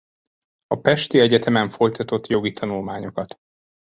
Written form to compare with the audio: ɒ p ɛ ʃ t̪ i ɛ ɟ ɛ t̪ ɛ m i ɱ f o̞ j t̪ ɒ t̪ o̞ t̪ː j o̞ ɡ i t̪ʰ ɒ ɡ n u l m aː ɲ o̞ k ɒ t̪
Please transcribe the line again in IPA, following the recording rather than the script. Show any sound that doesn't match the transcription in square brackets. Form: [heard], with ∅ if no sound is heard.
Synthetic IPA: ɒ p ɛ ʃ t̪ i ɛ ɟ ɛ t̪ ɛ m [ɛ] ɱ f o̞ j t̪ ɒ t̪ o̞ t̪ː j o̞ ɡ i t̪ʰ ɒ [∅] n u l m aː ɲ o̞ k ɒ t̪